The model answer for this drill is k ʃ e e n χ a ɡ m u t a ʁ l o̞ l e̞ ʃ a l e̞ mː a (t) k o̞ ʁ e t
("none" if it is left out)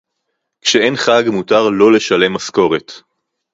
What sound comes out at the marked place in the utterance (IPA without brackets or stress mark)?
s